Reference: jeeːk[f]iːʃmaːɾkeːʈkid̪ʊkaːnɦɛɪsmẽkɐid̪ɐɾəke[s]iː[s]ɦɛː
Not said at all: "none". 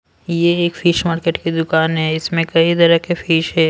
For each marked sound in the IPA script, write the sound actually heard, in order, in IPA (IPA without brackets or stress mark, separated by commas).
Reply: f, f, ʃ